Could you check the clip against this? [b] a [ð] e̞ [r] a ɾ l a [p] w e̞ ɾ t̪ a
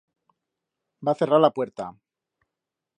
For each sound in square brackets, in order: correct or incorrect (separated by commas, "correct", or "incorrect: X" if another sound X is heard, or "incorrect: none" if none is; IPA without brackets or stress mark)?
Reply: correct, incorrect: θ, correct, correct